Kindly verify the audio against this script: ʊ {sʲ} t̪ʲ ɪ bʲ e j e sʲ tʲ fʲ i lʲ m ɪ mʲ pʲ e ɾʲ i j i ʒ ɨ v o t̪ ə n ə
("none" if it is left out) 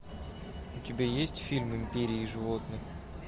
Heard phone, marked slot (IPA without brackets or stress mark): none